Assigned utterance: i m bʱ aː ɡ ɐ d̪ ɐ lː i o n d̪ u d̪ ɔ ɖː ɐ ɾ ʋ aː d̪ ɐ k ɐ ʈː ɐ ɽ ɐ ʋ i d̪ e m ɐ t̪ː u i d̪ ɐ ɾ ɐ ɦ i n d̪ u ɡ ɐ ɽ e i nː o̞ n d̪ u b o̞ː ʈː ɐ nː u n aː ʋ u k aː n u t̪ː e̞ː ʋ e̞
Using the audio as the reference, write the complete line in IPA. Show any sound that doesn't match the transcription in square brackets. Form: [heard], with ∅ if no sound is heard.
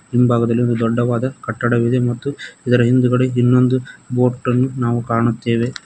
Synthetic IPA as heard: i m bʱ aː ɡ ɐ d̪ ɐ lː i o n d̪ u d̪ ɔ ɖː ɐ [∅] ʋ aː d̪ ɐ k ɐ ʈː ɐ ɽ ɐ ʋ i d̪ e m ɐ t̪ː u i d̪ ɐ ɾ ɐ ɦ i n d̪ u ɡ ɐ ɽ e i nː o̞ n d̪ u b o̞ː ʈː ɐ nː u n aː ʋ u k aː [ɳ] u t̪ː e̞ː ʋ e̞